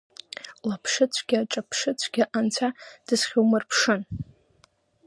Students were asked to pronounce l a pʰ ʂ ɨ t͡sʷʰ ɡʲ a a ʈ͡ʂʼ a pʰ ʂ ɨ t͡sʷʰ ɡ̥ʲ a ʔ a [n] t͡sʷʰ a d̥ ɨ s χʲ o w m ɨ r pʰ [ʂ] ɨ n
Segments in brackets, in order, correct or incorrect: correct, correct

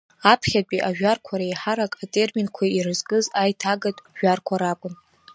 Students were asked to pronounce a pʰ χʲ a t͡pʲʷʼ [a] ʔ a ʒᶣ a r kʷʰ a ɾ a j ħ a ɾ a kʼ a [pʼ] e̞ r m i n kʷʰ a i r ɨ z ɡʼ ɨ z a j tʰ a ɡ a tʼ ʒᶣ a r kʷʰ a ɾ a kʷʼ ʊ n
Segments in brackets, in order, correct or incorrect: incorrect, incorrect

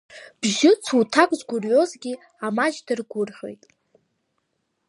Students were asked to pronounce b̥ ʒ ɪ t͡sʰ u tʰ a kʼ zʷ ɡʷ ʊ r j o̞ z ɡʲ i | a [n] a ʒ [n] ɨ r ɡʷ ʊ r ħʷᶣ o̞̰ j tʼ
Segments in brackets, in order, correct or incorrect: incorrect, incorrect

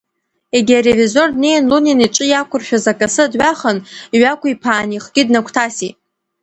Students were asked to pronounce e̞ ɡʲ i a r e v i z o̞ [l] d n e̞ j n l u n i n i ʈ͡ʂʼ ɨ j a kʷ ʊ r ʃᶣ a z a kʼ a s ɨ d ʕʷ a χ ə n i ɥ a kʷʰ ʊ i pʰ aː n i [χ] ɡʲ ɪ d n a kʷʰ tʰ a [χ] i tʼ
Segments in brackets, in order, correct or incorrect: incorrect, correct, incorrect

